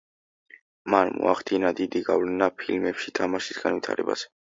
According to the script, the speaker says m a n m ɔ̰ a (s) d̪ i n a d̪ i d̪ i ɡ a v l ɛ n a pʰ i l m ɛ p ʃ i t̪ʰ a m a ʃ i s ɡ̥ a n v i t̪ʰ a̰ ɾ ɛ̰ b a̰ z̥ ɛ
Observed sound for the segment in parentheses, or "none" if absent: χ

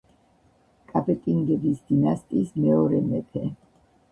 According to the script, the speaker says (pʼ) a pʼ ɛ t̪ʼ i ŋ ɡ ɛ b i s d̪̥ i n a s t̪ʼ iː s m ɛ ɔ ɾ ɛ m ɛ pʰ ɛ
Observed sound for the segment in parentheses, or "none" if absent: kʼ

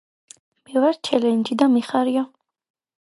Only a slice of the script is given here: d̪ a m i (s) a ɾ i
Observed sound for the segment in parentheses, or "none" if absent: χ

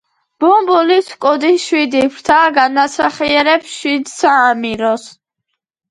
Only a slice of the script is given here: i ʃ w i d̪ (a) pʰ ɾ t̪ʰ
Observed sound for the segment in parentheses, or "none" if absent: i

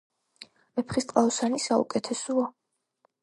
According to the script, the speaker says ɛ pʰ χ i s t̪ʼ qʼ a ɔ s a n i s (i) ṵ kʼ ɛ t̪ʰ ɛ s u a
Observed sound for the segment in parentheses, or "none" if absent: a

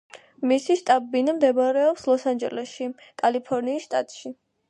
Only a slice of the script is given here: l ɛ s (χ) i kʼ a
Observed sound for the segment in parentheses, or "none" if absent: ʃ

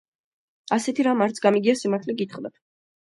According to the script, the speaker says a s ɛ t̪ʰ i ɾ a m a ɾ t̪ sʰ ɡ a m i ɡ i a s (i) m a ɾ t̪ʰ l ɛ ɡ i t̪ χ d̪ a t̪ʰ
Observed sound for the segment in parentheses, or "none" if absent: i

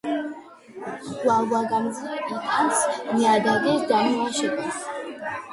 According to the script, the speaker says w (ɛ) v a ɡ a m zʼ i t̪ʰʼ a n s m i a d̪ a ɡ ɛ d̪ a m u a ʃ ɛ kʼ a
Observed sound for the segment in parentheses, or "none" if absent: a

